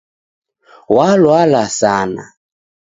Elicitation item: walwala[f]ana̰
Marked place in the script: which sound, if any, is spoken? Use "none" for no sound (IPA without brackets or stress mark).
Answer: s